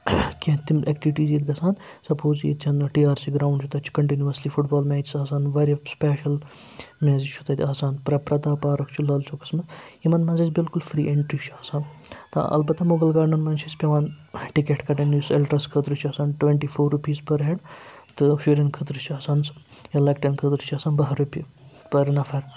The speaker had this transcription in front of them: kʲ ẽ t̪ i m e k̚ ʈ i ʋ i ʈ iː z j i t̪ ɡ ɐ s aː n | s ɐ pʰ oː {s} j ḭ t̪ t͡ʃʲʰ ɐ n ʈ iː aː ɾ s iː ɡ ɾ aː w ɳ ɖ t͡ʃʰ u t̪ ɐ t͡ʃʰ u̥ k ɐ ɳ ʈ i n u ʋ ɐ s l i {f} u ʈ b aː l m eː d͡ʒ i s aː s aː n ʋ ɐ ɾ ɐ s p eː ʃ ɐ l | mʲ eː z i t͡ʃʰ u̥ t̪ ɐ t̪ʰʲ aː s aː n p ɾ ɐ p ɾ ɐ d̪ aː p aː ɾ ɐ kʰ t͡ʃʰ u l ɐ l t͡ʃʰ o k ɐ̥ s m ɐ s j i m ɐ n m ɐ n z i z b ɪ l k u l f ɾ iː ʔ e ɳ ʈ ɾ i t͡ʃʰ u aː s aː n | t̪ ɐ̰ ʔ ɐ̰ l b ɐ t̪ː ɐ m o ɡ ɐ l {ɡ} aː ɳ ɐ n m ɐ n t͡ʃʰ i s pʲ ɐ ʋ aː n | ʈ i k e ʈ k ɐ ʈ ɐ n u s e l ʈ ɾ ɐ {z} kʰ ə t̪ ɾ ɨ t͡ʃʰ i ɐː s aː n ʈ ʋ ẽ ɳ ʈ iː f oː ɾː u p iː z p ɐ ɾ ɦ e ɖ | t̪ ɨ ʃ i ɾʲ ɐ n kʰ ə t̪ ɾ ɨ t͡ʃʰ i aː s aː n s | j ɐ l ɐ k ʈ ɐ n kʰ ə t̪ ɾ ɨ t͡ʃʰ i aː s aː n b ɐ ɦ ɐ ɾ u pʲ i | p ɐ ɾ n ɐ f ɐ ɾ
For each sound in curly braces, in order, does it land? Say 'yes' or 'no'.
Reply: no, yes, yes, no

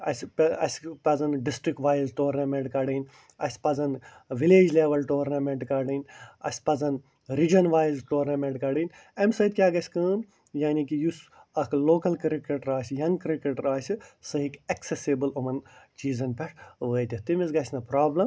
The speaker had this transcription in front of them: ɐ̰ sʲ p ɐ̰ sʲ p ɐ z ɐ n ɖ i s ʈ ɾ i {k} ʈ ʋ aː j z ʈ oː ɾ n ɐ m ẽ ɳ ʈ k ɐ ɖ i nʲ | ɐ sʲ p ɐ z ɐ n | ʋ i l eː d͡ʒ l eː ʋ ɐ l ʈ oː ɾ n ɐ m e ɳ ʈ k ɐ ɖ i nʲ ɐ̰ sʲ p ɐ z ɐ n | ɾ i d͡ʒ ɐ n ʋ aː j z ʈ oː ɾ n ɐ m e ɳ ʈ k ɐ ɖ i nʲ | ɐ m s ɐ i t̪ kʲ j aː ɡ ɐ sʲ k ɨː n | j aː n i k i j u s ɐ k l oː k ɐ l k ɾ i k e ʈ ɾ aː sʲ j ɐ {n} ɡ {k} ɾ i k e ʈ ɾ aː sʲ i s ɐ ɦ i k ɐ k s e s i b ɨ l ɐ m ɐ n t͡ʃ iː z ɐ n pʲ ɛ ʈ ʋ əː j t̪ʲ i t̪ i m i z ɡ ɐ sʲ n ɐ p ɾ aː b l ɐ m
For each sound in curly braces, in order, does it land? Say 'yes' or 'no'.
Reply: yes, no, yes

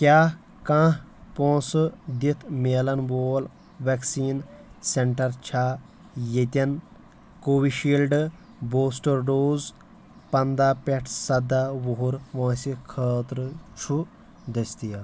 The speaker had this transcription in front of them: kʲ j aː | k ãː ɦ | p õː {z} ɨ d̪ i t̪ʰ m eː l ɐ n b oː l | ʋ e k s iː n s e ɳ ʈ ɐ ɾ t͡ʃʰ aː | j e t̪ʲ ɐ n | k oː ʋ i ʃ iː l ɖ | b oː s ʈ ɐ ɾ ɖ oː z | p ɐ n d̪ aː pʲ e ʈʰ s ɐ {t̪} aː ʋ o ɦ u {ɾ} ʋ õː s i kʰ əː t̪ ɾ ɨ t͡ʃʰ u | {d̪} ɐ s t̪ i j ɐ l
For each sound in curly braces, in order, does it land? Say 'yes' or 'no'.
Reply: no, no, yes, yes

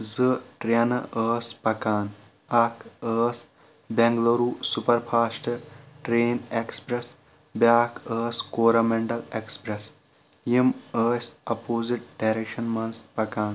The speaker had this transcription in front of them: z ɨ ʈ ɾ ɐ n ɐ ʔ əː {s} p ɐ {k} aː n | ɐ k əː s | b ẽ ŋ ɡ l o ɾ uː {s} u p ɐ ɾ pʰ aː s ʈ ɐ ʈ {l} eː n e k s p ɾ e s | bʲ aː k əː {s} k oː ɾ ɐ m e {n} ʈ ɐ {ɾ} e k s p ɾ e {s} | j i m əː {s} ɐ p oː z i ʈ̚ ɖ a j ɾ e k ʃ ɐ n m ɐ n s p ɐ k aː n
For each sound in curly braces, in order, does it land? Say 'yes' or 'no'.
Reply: yes, yes, yes, no, yes, no, no, yes, yes

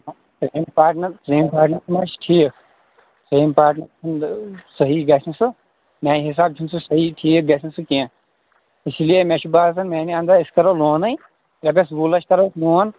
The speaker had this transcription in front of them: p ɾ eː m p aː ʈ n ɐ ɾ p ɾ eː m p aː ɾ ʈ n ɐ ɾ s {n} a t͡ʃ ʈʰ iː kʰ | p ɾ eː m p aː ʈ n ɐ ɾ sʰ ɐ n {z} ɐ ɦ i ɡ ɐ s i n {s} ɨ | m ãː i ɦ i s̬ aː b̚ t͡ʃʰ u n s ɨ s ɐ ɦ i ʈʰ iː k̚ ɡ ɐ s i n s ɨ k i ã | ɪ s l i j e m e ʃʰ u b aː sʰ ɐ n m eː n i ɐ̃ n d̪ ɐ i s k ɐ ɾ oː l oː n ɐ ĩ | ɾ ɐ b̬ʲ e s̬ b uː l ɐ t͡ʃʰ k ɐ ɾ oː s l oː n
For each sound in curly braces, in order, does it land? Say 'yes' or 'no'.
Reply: no, no, yes

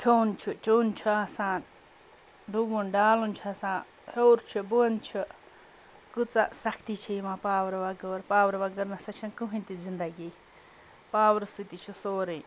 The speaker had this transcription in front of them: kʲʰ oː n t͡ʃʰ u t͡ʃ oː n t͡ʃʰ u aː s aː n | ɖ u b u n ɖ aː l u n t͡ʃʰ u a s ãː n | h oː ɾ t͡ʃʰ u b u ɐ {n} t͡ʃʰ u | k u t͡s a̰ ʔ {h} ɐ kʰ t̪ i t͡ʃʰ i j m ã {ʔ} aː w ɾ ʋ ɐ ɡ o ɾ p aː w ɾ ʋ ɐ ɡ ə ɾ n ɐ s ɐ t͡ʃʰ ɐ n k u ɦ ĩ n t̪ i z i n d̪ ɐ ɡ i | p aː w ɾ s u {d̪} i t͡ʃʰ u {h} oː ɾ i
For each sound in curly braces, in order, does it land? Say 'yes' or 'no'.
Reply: yes, no, no, no, no

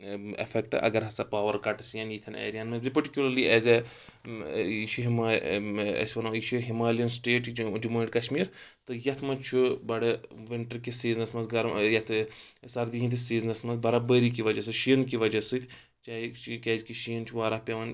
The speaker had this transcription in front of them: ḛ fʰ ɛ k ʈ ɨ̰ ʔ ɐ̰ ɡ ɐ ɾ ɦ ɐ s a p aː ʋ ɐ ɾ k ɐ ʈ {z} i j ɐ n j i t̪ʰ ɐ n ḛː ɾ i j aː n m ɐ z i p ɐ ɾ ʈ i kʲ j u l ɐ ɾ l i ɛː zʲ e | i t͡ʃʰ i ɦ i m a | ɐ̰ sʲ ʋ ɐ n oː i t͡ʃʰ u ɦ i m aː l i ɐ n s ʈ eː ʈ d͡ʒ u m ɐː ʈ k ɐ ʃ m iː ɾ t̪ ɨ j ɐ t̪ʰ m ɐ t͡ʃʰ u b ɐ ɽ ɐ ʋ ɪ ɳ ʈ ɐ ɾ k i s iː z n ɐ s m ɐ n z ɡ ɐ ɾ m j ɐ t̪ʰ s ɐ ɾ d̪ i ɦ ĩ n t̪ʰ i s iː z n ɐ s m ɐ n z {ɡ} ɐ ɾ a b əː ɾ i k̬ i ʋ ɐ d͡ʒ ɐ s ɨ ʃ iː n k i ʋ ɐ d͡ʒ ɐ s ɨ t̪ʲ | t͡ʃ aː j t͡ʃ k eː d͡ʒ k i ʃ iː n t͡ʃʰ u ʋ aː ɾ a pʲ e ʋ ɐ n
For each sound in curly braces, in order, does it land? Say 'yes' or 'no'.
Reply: no, no

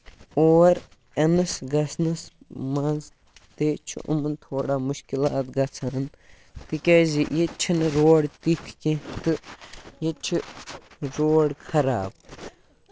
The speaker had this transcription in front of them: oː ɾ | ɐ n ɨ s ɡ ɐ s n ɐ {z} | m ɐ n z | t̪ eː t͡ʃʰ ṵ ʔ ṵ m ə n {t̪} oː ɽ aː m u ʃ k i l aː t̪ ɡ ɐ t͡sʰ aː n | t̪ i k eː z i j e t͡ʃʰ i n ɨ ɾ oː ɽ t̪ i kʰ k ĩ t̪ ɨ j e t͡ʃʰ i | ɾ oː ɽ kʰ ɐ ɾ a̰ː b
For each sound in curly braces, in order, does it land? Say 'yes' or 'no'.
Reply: no, no

